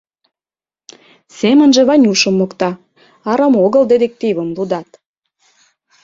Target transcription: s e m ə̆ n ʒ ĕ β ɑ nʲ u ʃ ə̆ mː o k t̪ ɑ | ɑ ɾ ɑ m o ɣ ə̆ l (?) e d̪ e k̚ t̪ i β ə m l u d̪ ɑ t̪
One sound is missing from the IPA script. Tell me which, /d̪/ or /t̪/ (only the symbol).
d̪